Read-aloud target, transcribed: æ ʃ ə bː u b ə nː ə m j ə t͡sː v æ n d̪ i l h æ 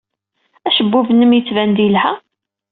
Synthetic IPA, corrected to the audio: æ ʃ ə bː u v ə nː ə m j ə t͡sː v æ n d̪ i l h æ